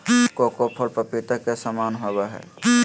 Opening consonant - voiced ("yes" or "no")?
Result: no